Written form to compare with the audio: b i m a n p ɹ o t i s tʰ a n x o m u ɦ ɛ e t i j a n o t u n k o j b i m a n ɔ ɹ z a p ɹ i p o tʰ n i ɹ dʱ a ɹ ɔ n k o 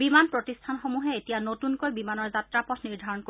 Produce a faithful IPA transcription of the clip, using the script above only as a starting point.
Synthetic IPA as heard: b i m a n p ɹ o t i s tʰ a n x o m u ɦ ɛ e t i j a n o t u n k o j b i m a n ɔ ɹ z a t ɹ a p ɔ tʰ n i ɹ dʱ a ɹ ɔ n k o